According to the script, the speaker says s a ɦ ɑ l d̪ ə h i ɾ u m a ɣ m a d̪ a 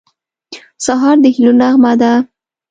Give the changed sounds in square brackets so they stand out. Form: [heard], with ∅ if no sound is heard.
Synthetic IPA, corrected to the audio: s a ɦ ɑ [ɾ] d̪ ə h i [l] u [n] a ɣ m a d̪ a